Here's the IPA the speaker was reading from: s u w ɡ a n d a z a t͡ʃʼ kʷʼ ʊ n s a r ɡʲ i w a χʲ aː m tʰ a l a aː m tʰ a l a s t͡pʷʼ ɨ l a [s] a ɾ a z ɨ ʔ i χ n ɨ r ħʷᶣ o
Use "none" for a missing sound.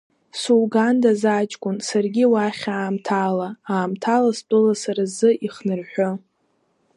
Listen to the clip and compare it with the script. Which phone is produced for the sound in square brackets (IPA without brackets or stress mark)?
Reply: s